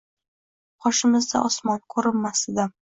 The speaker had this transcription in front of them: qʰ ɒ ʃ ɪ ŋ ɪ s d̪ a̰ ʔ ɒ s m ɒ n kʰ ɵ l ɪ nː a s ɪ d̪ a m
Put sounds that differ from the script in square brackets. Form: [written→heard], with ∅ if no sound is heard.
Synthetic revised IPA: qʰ ɒ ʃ ɪ [ŋ→m] ɪ [s→z] d̪ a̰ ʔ ɒ s m ɒ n kʰ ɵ [l→ɾ] ɪ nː a s ɪ d̪ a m